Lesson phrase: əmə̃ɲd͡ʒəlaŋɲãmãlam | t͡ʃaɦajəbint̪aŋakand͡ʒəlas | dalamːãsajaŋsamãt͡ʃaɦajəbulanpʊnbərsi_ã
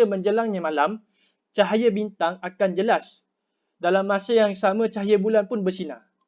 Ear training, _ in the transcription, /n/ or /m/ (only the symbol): n